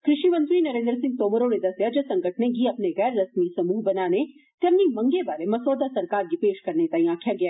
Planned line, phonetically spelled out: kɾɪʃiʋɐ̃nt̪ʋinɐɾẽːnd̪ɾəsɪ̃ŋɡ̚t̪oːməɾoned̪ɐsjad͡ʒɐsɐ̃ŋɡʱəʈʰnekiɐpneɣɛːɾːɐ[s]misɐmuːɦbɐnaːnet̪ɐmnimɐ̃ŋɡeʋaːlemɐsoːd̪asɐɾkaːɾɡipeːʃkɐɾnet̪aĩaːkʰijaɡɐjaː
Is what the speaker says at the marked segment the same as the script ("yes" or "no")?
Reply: yes